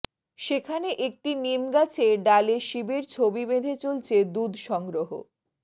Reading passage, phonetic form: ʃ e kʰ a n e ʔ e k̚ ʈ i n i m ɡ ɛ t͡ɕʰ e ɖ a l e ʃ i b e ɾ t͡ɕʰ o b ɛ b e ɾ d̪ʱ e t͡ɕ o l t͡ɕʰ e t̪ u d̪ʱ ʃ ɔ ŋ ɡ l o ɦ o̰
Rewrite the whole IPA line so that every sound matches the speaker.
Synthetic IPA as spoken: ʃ e kʰ a n e ʔ e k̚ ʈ i n i m ɡ a t͡ɕʰ e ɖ a l e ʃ i b e ɾ t͡ɕʰ o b i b e d̪ʱ e t͡ɕ o l t͡ɕʰ e d̪ u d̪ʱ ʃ ɔ ŋ ɡ ɾ o ɦ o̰